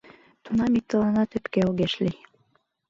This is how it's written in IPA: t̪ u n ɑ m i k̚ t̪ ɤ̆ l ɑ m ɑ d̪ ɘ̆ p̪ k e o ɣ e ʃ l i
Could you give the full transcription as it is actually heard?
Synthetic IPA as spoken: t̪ u n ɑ m i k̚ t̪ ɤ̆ l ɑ n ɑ t̪ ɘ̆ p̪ k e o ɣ e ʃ l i